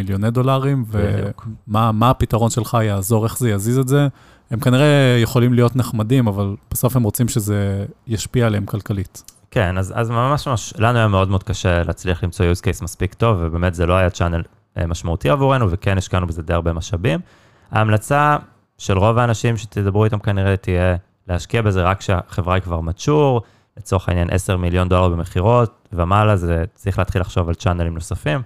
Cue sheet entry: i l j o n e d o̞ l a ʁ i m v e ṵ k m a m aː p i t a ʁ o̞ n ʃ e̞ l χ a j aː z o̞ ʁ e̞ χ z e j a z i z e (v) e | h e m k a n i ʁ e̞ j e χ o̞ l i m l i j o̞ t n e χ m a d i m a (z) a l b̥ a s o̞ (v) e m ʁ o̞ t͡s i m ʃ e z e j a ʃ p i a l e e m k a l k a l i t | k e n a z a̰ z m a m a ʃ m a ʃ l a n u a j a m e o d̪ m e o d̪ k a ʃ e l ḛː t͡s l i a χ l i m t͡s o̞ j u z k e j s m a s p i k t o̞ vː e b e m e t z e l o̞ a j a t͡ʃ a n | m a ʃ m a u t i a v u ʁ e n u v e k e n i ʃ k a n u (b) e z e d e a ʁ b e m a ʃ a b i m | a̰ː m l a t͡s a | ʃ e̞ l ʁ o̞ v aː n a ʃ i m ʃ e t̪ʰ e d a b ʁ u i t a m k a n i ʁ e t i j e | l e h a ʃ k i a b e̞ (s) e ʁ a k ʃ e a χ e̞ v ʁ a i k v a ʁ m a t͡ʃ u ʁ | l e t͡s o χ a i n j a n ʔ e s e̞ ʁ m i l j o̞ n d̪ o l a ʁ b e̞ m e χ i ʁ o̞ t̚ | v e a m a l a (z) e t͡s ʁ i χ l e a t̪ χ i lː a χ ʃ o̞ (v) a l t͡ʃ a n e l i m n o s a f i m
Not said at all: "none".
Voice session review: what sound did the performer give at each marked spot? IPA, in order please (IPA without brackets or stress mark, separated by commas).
z, v, f, b, z, z, v